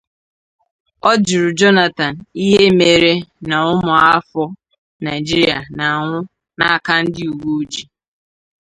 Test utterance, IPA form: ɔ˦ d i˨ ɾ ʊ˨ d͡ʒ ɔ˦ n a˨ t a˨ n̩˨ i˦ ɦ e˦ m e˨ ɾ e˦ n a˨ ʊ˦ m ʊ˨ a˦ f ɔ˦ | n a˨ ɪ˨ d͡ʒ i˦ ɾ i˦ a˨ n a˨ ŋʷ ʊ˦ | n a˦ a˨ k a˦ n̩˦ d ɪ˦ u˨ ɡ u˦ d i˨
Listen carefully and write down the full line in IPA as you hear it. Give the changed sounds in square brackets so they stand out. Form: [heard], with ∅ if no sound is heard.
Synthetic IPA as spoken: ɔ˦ [d͡ʒ] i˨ ɾ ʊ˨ d͡ʒ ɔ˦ n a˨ t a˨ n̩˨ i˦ ɦ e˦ m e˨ ɾ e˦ n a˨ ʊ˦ m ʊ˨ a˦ f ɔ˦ | n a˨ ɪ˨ d͡ʒ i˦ ɾ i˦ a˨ n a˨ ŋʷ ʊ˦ | n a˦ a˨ k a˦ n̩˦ d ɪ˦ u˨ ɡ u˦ [d͡ʒ] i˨